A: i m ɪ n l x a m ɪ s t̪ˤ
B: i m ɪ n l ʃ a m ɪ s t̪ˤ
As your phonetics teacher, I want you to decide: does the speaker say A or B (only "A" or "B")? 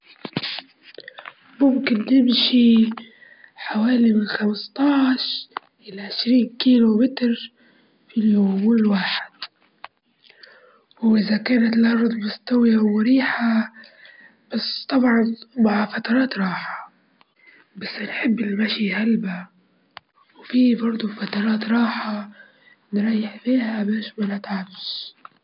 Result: A